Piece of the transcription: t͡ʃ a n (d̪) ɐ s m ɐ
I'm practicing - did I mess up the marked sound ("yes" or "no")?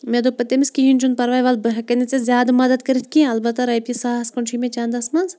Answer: no